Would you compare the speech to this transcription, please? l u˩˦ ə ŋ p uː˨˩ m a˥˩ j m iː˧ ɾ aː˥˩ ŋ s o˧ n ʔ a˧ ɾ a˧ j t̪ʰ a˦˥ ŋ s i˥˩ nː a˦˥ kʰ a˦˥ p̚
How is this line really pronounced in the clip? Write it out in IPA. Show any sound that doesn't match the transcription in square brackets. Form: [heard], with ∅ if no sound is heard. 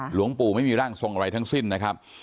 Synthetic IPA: l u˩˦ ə ŋ p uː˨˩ m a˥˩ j m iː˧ ɾ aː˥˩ ŋ s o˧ [ŋ] ʔ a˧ ɾ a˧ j t̪ʰ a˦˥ ŋ s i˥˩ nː a˦˥ kʰ a˦˥ p̚